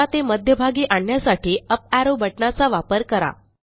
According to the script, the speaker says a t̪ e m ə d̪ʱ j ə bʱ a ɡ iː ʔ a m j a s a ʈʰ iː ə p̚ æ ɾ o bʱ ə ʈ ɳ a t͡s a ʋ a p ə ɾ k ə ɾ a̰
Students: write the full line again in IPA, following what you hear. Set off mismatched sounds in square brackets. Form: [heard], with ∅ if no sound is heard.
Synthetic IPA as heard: a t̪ e m ə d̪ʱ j ə bʱ a ɡ iː ʔ a [ɳ] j a s a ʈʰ iː ə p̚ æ ɾ o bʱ ə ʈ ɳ a t͡s a ʋ a p ə ɾ k ə ɾ a̰